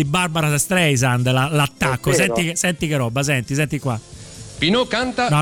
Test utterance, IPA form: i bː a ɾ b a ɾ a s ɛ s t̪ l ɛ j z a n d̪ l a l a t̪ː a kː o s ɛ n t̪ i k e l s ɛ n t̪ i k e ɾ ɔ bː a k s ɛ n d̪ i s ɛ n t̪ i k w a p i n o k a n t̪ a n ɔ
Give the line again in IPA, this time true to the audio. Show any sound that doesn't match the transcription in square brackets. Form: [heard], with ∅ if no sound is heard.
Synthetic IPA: i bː a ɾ b a ɾ a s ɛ s t̪ [ɾ] ɛ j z a n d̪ l a l a t̪ː a kː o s ɛ n t̪ i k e [∅] s ɛ n t̪ i k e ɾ ɔ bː a [∅] s ɛ n [t̪] i s ɛ n t̪ i k w a p i n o k a n t̪ a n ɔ